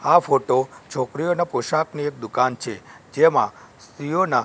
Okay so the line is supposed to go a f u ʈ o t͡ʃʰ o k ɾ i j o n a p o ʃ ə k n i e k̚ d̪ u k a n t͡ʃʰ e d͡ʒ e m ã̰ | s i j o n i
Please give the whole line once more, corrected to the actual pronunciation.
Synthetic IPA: a f o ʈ o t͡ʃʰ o k ɾ i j o n a p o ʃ a k n i e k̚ d̪ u k a n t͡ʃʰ e d͡ʒ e m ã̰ | s i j o n a

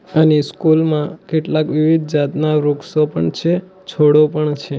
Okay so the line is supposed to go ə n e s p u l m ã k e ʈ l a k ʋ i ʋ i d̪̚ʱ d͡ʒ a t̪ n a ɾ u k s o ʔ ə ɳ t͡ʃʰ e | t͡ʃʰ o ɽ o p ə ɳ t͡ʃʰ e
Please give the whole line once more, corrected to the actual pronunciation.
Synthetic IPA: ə n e s k u l m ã k e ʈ l a k ʋ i ʋ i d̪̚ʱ d͡ʒ a t̪ n a ɾ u k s o p ə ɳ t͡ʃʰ e | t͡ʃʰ o ɽ o p ə ɳ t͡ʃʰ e

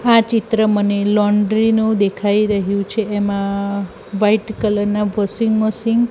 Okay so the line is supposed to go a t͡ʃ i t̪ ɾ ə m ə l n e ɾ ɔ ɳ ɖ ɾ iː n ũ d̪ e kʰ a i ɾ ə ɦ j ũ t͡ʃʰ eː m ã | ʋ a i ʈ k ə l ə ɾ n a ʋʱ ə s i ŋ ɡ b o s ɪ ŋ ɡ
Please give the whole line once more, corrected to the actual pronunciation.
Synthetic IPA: a t͡ʃ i t̪ ɾ ə m ə n e l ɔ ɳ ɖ ɾ i n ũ d̪ e kʰ a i ɾ ə ɦ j ũ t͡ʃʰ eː m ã | ʋ a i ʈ k ə l ə ɾ n a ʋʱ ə s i ŋ ɡ m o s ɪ ŋ ɡ

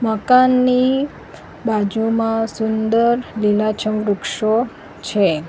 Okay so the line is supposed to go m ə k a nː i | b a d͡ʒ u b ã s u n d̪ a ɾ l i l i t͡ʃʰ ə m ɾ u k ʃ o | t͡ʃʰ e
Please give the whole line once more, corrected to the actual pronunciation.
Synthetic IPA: m ə k a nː i | b a d͡ʒ u m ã s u n d̪ ə ɾ l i l a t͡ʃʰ ə m ɾ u k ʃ o | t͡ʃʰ e

